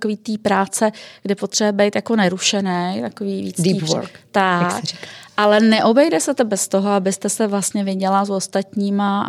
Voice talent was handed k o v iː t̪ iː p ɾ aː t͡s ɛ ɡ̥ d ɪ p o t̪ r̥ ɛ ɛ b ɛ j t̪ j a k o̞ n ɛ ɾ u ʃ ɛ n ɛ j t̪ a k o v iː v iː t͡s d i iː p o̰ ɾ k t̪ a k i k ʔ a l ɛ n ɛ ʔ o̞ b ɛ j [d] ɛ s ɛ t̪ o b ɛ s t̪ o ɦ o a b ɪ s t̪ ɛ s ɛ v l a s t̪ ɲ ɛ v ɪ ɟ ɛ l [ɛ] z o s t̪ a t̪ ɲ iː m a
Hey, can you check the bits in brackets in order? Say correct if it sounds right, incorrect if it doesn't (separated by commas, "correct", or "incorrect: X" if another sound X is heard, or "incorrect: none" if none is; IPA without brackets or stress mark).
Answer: correct, incorrect: a